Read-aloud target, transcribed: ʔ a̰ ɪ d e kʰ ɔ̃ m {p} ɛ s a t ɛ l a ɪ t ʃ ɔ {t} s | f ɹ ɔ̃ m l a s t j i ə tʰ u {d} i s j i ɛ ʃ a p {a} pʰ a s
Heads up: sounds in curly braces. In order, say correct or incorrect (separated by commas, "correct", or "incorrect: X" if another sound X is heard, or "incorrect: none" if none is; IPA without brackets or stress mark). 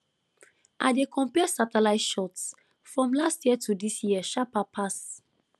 correct, correct, correct, correct